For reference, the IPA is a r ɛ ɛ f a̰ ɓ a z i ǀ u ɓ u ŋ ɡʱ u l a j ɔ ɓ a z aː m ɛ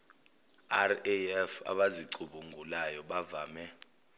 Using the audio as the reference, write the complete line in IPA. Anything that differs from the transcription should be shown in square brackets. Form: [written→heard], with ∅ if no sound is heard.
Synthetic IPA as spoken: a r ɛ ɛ f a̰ ɓ a z i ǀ u ɓ u ŋ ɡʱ u l a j ɔ ɓ a [z→v] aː m ɛ